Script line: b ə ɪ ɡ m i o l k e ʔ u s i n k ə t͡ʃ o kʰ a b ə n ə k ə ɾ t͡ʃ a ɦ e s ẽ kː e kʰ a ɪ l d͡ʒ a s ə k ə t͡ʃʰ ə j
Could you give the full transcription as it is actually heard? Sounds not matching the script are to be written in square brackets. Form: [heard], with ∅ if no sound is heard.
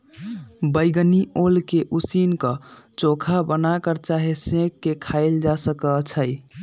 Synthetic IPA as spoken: b ə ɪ ɡ [n] i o l k e ʔ u s i n k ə t͡ʃ o kʰ a b ə n [a] k ə ɾ t͡ʃ a ɦ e s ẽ kː e kʰ a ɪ l d͡ʒ a s ə k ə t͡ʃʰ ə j